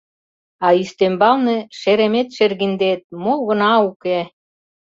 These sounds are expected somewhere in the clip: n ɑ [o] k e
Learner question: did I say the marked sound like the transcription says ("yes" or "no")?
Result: no